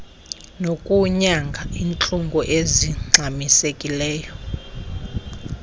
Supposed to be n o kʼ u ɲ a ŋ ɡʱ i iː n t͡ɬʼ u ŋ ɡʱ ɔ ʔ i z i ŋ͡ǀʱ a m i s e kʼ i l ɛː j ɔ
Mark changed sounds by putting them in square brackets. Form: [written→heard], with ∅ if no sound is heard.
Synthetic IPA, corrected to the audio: n o kʼ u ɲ a ŋ ɡʱ [i→a] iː n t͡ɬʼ u ŋ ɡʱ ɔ ʔ [i→e] z i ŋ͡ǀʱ a m i s e kʼ i l ɛː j ɔ